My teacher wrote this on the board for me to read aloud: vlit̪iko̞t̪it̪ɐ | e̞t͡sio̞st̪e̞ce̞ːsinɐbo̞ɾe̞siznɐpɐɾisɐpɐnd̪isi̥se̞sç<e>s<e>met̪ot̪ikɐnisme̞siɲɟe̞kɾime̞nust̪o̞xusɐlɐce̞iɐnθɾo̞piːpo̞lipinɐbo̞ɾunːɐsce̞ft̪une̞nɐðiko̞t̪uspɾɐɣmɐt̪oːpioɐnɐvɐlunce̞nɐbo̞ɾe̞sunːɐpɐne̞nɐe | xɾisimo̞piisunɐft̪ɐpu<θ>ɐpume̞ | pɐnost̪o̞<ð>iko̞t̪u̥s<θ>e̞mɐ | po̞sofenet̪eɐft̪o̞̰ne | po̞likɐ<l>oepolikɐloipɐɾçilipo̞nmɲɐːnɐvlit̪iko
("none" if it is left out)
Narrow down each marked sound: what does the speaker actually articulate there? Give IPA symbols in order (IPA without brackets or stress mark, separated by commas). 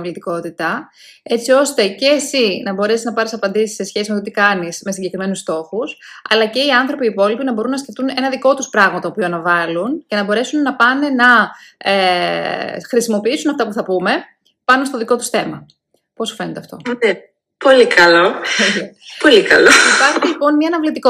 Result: e, i, θ, ð, θ, l